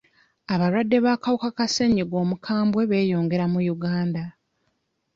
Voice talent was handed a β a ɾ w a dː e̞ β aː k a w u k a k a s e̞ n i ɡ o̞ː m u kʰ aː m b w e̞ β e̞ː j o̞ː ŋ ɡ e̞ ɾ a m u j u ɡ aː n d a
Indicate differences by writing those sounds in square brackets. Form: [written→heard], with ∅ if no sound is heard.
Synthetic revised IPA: a β a ɾ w a dː e̞ β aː k a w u k a k a s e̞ [n→ɲ] i ɡ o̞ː m u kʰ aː m b w e̞ β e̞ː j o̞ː ŋ ɡ e̞ ɾ a m u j u ɡ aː n d a